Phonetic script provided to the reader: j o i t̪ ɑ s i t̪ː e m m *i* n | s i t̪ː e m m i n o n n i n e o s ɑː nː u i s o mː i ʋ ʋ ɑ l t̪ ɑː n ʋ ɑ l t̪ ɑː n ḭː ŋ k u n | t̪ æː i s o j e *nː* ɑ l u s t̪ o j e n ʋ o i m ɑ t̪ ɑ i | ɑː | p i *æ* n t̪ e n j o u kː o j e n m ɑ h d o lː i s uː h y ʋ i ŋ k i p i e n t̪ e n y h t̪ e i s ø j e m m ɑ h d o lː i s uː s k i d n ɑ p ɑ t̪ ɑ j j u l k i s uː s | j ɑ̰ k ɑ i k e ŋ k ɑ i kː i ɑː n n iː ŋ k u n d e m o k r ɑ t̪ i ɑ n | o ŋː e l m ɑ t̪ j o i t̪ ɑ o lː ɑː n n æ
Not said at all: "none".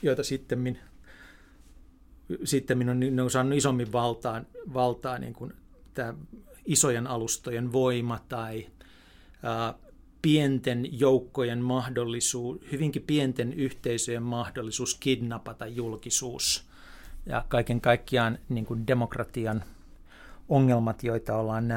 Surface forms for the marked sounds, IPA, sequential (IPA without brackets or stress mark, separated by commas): i, n, e